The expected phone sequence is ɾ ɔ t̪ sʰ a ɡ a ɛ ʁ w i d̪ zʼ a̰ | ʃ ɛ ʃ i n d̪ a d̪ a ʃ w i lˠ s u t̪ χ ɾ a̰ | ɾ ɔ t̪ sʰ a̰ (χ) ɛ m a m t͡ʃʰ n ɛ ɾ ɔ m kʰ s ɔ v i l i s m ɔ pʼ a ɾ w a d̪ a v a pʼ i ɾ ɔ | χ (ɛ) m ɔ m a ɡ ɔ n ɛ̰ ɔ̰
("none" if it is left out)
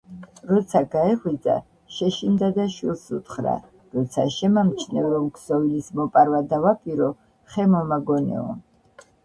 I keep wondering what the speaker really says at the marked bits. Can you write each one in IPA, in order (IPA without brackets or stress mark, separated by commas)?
ʃ, ɛ